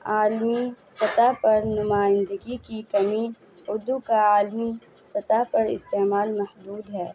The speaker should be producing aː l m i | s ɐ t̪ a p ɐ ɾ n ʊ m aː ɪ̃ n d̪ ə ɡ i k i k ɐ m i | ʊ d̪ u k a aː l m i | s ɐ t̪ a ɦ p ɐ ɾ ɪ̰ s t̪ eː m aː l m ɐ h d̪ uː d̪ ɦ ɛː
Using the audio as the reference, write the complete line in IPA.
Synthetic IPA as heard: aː l m i | s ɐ t̪ a p ɐ ɾ n ʊ m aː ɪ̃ n d̪ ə ɡ i k i k ɐ m i | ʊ d̪ u k a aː l m i | s ɐ t̪ a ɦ p ɐ ɾ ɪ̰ s t̪ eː m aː l m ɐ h d̪ uː d̪ ɦ ɛː